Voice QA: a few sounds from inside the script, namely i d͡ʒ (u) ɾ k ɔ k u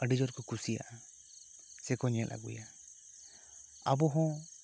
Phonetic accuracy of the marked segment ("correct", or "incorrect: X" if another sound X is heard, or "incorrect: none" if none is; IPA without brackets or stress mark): incorrect: ɔ